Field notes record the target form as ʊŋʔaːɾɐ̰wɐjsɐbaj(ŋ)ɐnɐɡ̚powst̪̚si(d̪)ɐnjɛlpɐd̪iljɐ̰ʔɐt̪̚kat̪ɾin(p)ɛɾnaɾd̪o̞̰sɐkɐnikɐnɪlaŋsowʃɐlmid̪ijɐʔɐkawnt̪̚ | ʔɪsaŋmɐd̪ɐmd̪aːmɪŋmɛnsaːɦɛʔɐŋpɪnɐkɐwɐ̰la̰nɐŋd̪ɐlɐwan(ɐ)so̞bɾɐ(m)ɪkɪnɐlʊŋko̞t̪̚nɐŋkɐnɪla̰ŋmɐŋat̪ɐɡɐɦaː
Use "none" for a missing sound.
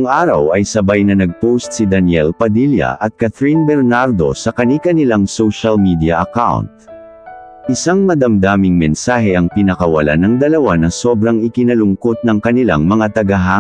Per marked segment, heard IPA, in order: n, d̪, b, ɐ, ŋ

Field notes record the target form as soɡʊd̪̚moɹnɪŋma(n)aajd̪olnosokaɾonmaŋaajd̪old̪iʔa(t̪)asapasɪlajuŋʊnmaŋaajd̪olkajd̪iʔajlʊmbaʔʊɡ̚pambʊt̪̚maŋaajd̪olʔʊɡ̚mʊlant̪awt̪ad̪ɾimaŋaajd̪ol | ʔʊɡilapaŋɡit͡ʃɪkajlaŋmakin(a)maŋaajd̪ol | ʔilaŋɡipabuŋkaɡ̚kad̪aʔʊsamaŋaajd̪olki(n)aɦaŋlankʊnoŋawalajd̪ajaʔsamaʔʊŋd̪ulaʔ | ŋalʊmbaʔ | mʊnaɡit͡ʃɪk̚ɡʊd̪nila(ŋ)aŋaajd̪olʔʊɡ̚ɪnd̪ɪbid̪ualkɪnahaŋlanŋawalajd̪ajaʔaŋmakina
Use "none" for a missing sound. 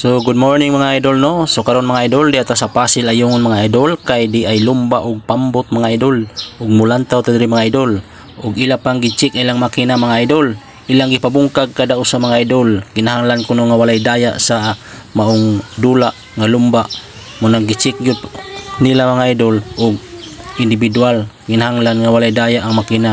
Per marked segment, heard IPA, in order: ŋ, t̪, a, n, m

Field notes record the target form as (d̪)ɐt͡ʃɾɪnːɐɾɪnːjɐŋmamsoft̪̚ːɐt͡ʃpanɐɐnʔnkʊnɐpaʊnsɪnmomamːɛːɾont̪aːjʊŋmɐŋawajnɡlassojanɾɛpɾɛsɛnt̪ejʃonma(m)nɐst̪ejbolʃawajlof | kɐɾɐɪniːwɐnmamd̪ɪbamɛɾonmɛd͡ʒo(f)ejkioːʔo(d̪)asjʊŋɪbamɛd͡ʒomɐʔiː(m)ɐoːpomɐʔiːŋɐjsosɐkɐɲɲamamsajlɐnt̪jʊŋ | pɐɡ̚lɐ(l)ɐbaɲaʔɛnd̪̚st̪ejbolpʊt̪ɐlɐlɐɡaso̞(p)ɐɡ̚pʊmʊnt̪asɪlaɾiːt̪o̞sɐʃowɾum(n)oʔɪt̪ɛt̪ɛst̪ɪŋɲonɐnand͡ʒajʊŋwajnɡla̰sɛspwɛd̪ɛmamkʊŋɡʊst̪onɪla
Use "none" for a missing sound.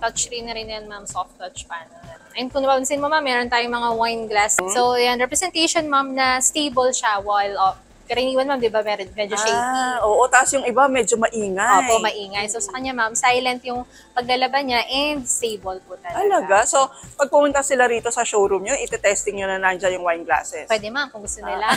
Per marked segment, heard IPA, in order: t̪, m, ʃ, t̪, ŋ, l, p, ɲ

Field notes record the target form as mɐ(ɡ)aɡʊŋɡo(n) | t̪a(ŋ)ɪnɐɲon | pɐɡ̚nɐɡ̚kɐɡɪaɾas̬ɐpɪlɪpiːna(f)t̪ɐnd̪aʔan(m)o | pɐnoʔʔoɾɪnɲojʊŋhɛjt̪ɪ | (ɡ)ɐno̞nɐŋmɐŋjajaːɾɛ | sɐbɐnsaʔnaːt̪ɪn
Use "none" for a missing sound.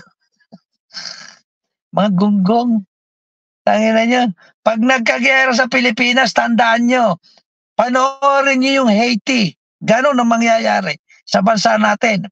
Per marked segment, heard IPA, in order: ŋ, ŋ, ŋ, s, ɲ, ɡ

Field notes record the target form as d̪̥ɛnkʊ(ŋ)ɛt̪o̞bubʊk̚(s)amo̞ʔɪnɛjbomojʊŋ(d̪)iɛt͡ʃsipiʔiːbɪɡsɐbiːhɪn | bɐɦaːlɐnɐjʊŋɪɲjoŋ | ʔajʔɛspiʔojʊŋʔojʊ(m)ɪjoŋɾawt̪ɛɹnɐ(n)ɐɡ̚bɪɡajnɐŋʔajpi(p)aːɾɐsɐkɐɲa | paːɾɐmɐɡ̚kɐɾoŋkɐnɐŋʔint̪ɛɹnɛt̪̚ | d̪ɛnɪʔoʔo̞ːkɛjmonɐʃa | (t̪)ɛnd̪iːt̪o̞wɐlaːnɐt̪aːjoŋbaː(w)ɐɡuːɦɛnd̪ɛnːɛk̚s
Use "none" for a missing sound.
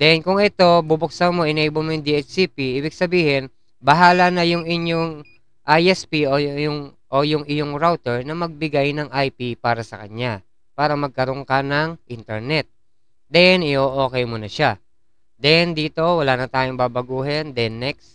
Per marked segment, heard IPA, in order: ŋ, s, d̪, ŋ, m, p, d̪, b

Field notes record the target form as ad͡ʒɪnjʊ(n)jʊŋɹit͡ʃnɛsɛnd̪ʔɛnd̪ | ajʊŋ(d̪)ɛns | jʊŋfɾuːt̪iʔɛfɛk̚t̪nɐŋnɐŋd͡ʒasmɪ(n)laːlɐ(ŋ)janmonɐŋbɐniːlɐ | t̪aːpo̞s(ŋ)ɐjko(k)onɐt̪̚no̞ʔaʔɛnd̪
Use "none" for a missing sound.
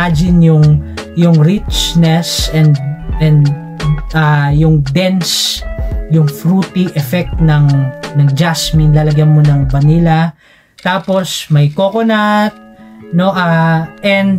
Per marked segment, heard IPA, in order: ŋ, d̪, n, ɡ, m, k

